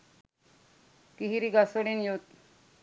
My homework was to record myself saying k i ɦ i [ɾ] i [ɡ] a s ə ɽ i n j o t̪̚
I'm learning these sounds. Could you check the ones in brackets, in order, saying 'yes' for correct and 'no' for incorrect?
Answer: yes, yes

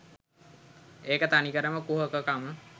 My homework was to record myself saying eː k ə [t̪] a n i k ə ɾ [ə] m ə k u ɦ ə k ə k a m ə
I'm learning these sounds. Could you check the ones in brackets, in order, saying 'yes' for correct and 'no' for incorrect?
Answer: yes, yes

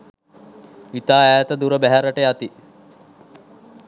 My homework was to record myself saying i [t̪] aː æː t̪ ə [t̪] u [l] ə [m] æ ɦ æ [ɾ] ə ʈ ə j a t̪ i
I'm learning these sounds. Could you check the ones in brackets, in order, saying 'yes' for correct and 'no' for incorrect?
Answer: yes, no, no, no, yes

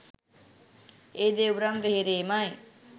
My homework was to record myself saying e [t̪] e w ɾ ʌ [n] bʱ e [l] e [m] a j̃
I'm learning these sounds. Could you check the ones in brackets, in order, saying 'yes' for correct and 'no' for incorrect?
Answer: no, no, no, yes

